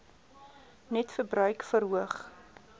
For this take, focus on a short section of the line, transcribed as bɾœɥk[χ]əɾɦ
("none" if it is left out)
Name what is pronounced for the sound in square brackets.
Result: f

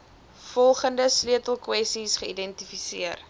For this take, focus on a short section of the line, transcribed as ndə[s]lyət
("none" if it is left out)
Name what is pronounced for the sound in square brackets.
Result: s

